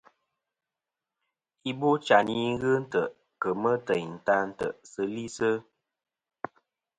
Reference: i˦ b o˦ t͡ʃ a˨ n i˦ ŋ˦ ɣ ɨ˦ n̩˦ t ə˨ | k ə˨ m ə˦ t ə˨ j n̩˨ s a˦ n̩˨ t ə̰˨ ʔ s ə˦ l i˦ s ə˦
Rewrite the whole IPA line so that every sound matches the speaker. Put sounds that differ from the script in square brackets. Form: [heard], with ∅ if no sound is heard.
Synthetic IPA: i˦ b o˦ t͡ʃ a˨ n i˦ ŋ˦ ɣ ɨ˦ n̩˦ t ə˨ | k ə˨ m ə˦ t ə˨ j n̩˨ [t] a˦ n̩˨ t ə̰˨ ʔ s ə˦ l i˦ s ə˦